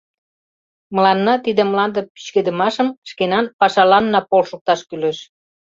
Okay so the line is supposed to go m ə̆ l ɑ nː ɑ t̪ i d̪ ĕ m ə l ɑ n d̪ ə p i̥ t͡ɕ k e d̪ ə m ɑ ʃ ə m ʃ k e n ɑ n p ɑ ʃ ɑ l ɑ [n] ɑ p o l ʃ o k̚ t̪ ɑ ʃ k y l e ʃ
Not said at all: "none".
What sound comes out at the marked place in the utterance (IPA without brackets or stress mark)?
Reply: nː